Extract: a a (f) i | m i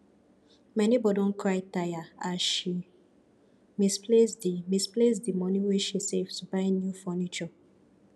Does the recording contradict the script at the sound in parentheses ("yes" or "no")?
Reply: yes